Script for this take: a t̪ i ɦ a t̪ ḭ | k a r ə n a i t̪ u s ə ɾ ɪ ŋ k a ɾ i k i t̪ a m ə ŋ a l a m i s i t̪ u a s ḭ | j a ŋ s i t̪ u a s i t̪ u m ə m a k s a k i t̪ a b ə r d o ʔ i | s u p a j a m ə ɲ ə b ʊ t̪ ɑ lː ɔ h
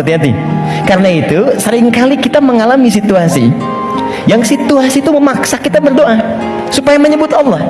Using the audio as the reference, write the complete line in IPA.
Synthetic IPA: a t̪ i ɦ a t̪ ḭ | k a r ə n a i t̪ u s ə ɾ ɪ ŋ k a l i k i t̪ a m ə ŋ a l a m i s i t̪ u a s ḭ | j a ŋ s i t̪ u a s i t̪ u m ə m a k s a k i t̪ a b ə r d o ʔ a | s u p a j a m ə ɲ ə b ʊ t̪ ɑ lː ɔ h